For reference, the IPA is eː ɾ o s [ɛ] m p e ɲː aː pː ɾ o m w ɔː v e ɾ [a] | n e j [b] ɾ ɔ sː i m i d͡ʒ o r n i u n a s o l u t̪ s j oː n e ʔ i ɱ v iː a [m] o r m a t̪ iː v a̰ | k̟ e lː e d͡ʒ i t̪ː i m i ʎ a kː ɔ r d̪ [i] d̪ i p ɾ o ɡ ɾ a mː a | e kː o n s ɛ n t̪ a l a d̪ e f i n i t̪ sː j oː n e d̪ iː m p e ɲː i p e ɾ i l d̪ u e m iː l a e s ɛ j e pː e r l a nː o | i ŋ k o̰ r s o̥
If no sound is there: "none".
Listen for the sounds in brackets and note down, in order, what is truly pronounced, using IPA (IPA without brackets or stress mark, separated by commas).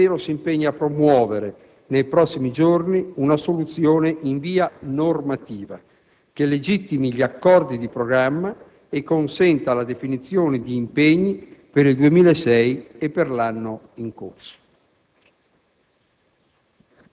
i, e, p, n, i